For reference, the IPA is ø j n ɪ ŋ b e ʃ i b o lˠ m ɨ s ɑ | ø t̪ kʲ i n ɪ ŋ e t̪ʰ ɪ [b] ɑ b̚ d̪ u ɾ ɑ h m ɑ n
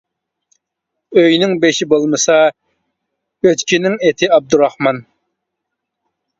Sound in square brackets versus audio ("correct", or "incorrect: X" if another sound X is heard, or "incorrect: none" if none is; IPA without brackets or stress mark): incorrect: none